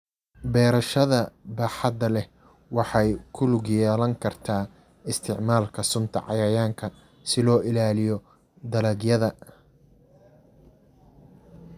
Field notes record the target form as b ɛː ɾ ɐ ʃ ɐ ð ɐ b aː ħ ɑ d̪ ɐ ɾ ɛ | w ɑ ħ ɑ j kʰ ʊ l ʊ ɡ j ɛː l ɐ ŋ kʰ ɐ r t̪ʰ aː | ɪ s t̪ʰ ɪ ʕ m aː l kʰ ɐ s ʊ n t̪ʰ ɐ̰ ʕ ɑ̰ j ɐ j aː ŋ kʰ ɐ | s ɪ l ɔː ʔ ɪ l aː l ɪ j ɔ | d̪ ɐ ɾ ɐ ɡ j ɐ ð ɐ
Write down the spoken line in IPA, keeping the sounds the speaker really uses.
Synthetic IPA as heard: b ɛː ɾ ɐ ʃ ɐ ð ɐ b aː ħ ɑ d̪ ɐ l ɛ | w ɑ ħ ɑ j kʰ ʊ l ʊ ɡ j ɛː l ɐ ŋ kʰ ɐ r t̪ʰ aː | ɪ s t̪ʰ ɪ ʕ m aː l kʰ ɐ s ʊ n t̪ʰ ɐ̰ ʕ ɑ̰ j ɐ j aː ŋ kʰ ɐ | s ɪ l ɔː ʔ ɪ l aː l ɪ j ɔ | d̪ ɐ l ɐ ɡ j ɐ ð ɐ